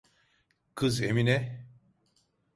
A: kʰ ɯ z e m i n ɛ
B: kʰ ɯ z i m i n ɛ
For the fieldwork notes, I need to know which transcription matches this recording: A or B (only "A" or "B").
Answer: A